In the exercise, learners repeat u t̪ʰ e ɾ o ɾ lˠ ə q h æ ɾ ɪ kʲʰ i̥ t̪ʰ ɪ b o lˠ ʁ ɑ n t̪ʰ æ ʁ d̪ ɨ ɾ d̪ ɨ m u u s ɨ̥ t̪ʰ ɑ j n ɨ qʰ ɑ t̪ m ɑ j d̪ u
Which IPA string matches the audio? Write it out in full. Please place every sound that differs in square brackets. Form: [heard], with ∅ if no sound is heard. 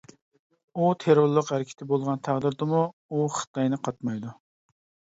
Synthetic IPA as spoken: u t̪ʰ e ɾ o ɾ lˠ ə q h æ ɾ ɪ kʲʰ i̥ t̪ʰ ɪ b o lˠ ʁ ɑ n t̪ʰ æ ʁ d̪ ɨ ɾ d̪ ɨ m u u [χ] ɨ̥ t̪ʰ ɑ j n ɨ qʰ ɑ t̪ m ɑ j d̪ u